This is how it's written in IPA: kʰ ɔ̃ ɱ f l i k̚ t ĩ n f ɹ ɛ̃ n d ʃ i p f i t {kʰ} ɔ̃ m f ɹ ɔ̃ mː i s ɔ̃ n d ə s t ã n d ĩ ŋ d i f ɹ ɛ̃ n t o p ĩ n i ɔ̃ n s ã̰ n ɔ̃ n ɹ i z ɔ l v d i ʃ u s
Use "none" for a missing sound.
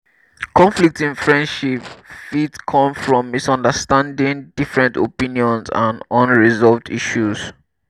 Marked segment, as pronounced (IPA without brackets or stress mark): kʰ